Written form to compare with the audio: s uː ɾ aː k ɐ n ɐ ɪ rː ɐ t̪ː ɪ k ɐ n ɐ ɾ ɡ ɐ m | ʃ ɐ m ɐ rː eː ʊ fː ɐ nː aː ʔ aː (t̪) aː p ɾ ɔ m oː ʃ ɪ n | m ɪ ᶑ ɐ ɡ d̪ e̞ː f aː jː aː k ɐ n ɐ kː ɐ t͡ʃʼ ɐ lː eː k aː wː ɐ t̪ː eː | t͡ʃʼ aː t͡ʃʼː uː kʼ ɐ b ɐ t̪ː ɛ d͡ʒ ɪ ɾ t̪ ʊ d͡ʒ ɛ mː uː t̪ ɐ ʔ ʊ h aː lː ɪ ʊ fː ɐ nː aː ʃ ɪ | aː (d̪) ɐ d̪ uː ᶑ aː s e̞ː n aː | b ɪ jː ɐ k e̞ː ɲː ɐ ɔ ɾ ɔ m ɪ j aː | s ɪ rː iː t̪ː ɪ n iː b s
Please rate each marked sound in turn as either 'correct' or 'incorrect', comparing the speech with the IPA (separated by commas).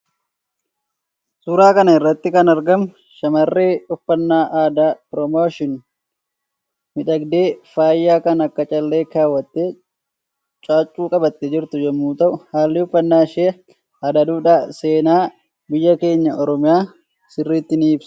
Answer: incorrect, correct